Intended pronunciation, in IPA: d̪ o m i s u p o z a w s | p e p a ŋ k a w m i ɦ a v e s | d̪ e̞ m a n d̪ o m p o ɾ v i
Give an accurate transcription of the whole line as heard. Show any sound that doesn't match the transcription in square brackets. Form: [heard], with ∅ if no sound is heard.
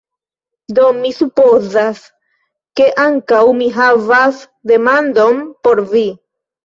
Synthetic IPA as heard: d̪ o m i s u p o z a [∅] s | [k] e [ʔ] a ŋ k a w m i ɦ a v [a] s | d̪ e̞ m a n d̪ o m p o ɾ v i